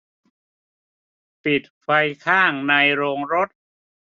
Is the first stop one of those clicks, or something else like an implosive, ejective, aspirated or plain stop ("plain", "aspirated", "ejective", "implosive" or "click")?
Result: plain